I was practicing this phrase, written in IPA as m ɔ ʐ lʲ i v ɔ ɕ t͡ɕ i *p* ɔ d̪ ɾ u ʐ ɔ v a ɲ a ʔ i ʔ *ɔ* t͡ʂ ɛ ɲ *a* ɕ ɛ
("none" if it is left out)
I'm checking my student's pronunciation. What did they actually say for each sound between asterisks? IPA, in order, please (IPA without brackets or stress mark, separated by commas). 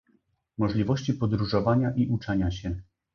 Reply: p, u, a